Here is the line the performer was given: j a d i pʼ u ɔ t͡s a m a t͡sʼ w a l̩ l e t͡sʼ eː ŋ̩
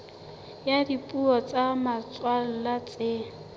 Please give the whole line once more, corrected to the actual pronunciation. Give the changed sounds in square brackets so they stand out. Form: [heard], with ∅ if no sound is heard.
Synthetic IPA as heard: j a d i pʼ u ɔ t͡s a m a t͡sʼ w a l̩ l [a] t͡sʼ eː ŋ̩